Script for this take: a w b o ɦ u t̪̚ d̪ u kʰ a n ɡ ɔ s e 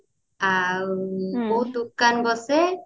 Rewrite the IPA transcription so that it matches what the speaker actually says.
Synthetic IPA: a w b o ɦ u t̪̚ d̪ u k a n b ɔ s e